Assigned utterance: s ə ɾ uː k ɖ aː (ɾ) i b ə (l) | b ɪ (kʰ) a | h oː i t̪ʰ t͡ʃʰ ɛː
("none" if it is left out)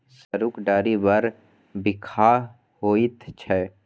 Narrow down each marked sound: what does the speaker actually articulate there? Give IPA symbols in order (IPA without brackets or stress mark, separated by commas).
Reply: ɾ, ɾ, kʰ